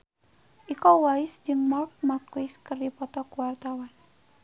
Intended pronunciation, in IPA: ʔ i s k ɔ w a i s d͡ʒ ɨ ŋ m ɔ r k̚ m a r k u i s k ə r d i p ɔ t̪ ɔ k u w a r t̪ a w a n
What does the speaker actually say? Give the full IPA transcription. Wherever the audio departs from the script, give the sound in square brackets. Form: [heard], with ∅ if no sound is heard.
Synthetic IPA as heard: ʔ i [∅] k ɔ w a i s d͡ʒ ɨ ŋ m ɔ r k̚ m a r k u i s k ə r d i p ɔ t̪ ɔ k u w a r t̪ a w a n